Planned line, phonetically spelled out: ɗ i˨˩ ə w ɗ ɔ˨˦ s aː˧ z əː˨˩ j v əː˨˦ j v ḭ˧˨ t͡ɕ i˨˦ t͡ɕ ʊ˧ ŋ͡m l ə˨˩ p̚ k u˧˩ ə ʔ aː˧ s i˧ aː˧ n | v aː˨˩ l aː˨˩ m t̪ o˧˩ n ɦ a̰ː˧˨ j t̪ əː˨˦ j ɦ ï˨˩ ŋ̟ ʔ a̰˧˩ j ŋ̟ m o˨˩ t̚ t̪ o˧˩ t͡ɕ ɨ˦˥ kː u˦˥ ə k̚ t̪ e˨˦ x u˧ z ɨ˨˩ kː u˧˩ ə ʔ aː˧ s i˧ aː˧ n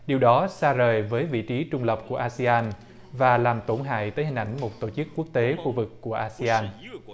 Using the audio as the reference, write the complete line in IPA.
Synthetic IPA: ɗ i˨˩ ə w ɗ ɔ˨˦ s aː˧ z əː˨˩ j v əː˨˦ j v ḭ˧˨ t͡ɕ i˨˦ t͡ɕ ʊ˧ ŋ͡m l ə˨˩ p̚ k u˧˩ ə ʔ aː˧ s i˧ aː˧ n | v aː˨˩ l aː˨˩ m t̪ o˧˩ n ɦ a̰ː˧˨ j t̪ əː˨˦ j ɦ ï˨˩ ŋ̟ ʔ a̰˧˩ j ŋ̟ m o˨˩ t̚ t̪ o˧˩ t͡ɕ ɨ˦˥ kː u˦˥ ə k̚ t̪ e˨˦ x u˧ v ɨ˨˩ kː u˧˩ ə ʔ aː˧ s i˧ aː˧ n